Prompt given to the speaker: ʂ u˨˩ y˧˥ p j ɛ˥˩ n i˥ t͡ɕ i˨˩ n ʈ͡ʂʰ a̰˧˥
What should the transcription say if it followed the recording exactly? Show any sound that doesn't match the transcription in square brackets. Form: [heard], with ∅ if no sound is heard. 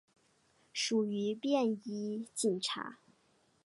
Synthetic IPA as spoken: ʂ u˨˩ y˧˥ p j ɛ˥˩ n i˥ t͡ɕ i˨˩ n ʈ͡ʂʰ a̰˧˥